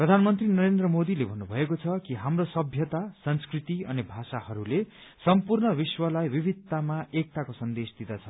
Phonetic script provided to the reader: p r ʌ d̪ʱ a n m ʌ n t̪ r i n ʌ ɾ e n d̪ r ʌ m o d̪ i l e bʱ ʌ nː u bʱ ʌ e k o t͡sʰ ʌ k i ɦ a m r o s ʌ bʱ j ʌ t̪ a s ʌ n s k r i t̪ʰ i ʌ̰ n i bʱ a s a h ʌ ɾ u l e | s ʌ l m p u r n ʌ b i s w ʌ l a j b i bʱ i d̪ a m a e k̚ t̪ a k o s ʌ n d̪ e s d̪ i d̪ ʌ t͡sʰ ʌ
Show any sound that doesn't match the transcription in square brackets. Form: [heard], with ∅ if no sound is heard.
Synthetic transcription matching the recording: p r ʌ d̪ʱ a n m ʌ n t̪ r i n ʌ ɾ e n d̪ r ʌ m o d̪ i l e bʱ ʌ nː u bʱ ʌ e k o t͡sʰ ʌ k i ɦ a m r o s ʌ bʱ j ʌ t̪ a s ʌ n s k r i [t̪] i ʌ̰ n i bʱ a s a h ʌ ɾ u l e | s ʌ [∅] m p u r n ʌ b i s w ʌ l a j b i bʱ i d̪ a m a e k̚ t̪ a k o s ʌ n d̪ e s d̪ i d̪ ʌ t͡sʰ ʌ